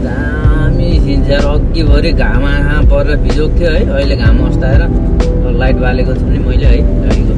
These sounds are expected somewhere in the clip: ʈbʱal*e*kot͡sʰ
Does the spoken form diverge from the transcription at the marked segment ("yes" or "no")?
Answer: no